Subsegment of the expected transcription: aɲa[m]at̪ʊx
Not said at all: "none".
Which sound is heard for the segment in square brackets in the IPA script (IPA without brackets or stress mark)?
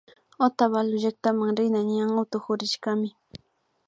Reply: ŋ